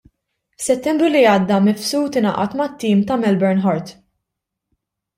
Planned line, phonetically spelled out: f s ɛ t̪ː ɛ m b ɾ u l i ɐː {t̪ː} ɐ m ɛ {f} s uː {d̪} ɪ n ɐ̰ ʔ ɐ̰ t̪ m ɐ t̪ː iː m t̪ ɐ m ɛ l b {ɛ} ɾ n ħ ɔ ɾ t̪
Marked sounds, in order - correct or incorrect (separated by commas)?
incorrect, correct, incorrect, correct